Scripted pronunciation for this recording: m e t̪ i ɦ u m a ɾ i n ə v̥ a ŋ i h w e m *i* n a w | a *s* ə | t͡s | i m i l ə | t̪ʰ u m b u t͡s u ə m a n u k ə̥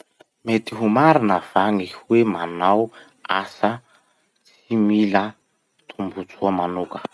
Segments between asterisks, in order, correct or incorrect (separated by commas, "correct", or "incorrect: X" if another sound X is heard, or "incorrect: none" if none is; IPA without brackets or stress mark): incorrect: a, correct